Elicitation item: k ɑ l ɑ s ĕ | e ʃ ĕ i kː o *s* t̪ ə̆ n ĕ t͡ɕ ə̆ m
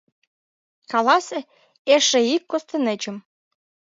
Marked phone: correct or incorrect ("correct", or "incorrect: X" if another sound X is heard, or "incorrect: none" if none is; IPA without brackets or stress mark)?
correct